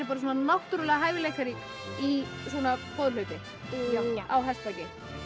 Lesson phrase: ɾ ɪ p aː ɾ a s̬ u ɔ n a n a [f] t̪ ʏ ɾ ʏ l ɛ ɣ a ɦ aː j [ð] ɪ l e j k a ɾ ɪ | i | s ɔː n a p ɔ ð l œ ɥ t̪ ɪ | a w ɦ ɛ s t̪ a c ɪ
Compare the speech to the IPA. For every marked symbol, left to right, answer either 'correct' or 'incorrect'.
incorrect: h, incorrect: v

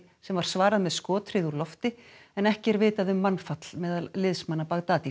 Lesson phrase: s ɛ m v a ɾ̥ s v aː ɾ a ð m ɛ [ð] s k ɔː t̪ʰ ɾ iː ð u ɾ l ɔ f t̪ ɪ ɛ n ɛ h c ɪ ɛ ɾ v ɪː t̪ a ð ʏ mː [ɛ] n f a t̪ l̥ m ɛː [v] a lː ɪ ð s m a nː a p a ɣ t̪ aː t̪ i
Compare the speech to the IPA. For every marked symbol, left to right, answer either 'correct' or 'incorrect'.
correct, incorrect: a, incorrect: ð

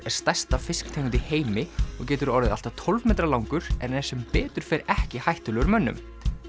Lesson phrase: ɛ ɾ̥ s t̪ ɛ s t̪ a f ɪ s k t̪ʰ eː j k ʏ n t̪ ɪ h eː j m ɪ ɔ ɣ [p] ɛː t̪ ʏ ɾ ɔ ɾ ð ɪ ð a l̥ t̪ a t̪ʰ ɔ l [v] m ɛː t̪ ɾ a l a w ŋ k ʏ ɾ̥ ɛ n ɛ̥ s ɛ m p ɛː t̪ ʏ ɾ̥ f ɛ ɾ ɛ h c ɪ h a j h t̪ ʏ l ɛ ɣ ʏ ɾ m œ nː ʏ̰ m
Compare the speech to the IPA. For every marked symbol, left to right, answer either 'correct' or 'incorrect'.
incorrect: c, correct

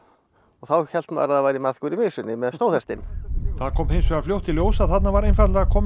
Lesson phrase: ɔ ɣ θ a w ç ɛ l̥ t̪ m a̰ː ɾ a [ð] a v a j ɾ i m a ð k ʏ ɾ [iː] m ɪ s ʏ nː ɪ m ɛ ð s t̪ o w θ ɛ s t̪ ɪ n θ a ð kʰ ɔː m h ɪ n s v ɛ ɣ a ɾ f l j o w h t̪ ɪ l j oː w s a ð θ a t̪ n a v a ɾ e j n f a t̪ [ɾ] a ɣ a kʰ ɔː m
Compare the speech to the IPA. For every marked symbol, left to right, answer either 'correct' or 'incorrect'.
correct, incorrect: i, incorrect: l

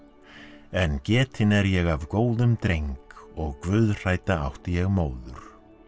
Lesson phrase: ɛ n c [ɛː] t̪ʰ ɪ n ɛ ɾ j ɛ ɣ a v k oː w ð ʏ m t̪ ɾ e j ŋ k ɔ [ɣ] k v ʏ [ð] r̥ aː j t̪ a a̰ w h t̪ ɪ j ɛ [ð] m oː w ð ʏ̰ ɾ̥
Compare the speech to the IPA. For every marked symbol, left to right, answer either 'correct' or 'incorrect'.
correct, correct, correct, incorrect: ɣ

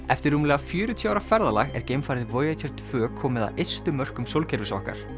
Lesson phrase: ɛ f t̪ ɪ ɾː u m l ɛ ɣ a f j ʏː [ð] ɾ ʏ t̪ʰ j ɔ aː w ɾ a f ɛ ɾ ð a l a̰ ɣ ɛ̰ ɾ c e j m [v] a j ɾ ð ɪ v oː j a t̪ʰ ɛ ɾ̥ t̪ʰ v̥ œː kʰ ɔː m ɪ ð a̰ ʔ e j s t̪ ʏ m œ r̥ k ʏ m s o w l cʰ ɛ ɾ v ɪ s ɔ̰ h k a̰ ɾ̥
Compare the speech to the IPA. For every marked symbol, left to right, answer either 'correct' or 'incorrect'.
incorrect: none, incorrect: f

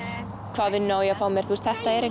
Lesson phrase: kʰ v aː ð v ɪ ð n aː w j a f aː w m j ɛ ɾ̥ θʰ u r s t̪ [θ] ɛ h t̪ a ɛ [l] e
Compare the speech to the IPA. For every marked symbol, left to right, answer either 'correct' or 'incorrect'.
correct, incorrect: ɾ

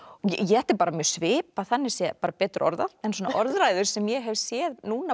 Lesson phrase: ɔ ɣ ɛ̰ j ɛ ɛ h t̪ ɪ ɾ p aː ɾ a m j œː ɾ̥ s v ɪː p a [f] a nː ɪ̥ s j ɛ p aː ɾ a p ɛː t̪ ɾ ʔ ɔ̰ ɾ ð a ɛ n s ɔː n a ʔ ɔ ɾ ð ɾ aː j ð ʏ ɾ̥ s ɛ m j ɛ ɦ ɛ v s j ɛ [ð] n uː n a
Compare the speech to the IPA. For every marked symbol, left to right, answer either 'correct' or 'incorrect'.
incorrect: θ, correct

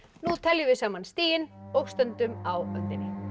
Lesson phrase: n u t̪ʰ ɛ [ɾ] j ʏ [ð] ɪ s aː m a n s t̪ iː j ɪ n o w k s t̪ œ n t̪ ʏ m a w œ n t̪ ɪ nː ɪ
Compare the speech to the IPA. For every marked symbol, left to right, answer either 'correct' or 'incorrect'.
incorrect: l, incorrect: v

